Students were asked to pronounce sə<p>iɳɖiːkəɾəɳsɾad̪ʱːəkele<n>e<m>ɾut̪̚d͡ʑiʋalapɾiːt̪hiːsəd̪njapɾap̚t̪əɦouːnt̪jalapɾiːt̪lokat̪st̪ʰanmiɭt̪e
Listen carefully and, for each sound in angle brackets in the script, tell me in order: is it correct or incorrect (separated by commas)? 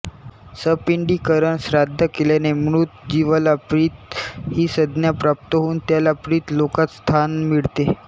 correct, correct, correct